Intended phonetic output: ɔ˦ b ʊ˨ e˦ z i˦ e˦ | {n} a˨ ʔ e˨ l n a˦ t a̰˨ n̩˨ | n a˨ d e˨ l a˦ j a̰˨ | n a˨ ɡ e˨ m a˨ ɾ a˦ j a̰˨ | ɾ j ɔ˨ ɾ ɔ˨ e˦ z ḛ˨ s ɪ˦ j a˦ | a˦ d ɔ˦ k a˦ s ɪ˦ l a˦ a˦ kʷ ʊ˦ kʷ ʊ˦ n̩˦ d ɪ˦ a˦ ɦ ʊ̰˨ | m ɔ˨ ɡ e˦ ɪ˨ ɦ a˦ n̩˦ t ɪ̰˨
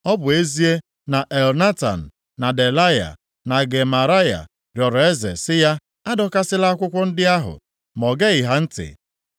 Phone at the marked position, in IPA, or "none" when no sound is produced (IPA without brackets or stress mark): n